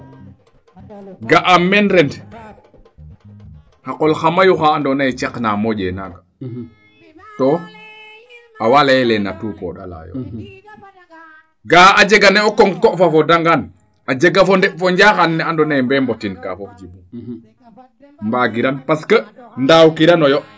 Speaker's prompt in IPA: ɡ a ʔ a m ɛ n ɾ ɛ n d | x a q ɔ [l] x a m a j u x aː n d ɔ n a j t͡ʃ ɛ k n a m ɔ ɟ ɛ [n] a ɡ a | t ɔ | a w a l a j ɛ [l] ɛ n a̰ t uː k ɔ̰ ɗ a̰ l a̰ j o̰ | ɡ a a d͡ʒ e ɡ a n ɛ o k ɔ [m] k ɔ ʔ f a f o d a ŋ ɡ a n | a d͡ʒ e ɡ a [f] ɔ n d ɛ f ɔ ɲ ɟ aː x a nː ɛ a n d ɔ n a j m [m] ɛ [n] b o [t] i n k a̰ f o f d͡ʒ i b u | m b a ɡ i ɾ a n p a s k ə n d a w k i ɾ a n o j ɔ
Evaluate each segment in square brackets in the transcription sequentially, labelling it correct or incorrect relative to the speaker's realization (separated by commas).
correct, correct, correct, incorrect, correct, incorrect, incorrect, correct